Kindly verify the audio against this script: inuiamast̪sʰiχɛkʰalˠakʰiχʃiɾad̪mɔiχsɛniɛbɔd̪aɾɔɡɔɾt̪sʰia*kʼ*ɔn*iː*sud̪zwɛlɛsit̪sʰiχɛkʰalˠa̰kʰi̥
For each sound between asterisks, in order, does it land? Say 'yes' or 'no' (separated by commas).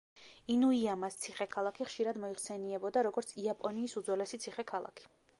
no, yes